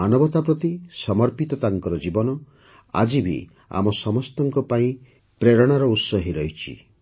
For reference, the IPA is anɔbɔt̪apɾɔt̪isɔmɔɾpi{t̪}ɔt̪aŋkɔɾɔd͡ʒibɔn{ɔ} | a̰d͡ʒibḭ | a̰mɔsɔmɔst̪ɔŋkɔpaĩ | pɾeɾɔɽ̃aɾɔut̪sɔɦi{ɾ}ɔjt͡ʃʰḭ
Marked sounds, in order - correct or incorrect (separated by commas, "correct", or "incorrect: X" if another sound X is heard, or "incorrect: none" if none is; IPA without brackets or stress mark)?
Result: correct, correct, correct